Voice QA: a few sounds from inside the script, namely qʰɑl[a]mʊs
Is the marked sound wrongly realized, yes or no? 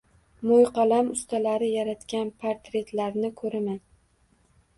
no